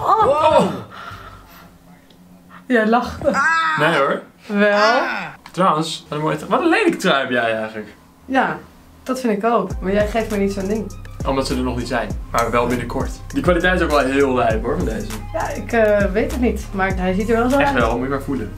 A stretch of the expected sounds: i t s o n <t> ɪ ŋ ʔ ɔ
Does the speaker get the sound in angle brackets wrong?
yes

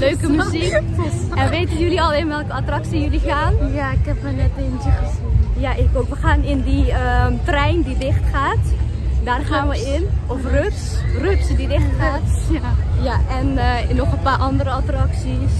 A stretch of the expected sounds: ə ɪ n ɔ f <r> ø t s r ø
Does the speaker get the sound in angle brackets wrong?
no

